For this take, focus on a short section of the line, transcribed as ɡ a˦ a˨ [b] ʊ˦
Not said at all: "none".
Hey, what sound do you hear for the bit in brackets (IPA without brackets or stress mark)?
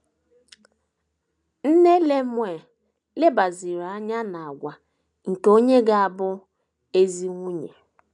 b